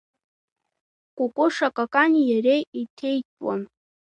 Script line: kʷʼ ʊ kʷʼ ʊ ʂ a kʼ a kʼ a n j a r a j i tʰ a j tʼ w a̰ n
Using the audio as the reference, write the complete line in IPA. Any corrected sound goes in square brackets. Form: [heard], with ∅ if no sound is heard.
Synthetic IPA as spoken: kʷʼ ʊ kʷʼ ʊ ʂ a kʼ a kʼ a n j a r [e] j i tʰ [e] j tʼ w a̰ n